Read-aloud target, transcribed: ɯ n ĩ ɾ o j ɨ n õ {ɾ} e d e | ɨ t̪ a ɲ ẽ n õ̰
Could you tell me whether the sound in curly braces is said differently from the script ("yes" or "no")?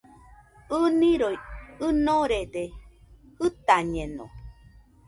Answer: no